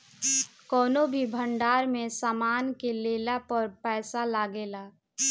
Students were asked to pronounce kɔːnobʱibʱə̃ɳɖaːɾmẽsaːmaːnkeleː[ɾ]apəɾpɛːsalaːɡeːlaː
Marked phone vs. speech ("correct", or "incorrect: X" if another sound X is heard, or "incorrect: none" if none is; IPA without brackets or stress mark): incorrect: l